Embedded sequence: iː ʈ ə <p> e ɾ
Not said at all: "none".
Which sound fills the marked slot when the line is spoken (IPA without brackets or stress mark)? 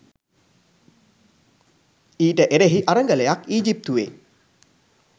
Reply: ʔ